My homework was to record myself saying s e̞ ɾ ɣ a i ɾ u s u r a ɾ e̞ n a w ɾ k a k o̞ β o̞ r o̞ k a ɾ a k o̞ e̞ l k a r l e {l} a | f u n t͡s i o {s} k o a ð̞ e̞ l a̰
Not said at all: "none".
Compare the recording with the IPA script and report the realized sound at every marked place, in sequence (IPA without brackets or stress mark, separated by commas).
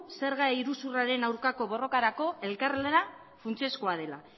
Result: ɾ, s